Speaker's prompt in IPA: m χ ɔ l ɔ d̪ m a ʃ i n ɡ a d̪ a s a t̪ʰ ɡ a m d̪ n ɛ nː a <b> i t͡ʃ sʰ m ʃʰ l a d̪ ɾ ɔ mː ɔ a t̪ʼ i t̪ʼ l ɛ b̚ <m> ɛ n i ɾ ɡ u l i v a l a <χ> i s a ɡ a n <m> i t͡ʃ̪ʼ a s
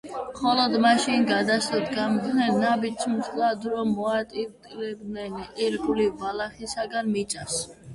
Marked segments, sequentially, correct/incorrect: correct, incorrect: n, correct, correct

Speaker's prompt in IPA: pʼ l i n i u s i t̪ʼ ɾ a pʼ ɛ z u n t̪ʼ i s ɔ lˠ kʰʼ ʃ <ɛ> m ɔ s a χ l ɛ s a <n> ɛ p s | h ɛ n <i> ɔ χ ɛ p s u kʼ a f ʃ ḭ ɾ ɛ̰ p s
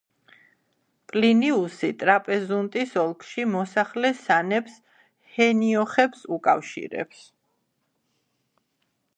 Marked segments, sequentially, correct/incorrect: incorrect: i, correct, correct

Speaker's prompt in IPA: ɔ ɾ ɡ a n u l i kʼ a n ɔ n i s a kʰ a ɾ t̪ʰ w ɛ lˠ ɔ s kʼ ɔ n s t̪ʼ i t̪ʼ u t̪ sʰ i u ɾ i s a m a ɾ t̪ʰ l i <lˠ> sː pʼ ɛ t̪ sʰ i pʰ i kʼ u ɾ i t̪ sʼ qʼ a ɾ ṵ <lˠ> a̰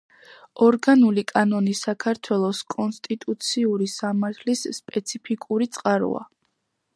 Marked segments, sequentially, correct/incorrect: incorrect: none, incorrect: none

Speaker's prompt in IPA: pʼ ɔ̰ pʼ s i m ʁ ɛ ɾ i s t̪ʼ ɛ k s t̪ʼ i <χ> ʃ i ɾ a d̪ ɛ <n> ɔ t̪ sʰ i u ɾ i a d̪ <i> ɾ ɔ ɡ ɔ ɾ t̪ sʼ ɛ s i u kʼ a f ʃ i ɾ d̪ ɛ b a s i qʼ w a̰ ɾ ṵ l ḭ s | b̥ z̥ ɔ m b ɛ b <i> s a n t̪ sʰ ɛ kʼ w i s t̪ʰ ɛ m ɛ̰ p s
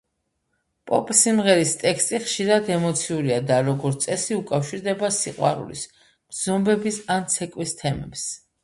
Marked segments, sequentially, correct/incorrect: correct, incorrect: m, incorrect: a, correct

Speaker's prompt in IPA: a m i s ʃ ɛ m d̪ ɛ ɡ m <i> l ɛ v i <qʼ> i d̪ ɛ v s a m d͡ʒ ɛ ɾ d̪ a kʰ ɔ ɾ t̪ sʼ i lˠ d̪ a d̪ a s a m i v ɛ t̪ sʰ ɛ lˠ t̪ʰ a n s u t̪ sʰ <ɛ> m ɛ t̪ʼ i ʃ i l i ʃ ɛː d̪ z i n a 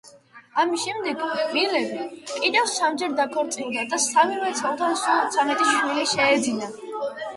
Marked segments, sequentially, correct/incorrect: correct, incorrect: kʼ, incorrect: a

